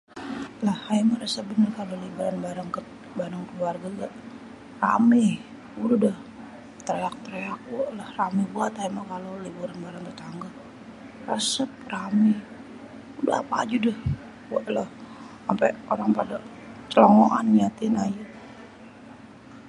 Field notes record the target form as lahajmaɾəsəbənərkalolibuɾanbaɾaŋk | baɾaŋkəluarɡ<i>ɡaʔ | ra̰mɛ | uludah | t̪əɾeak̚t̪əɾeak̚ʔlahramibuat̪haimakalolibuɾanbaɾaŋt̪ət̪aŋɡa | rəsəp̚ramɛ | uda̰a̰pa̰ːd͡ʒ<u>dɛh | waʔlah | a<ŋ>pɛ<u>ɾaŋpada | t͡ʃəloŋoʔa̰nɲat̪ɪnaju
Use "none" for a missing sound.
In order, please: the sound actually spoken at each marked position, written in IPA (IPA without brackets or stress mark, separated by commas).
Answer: a, u, m, o